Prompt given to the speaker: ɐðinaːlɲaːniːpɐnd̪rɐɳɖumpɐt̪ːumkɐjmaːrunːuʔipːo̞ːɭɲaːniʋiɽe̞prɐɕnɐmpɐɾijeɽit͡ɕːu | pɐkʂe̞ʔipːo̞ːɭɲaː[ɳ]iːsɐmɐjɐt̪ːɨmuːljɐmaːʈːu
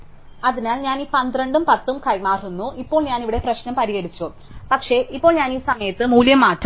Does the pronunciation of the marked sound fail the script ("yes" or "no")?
yes